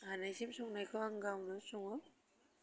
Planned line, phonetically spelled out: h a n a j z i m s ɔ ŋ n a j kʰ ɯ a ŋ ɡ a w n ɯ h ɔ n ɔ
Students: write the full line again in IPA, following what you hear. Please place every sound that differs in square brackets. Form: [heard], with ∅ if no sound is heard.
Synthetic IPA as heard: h a n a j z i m s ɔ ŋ n a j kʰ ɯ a ŋ ɡ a w n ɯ [s] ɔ [ŋ] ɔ